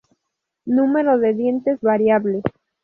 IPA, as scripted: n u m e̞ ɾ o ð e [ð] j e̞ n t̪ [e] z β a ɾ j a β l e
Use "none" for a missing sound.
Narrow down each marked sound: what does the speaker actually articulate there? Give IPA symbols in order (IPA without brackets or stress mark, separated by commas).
ð, e